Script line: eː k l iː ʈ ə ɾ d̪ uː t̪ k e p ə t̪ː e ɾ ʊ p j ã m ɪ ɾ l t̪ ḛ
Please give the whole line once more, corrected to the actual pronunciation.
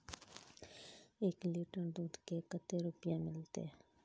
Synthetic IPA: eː k l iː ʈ ə ɾ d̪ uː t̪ k e k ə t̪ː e ɾ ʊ p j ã m ɪ l t̪ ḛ